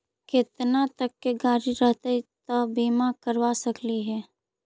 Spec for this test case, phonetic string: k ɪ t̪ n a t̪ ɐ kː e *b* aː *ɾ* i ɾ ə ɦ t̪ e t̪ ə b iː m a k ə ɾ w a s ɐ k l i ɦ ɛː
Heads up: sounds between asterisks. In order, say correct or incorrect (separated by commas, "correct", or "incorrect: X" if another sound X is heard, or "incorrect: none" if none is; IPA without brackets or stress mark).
incorrect: ɡ, correct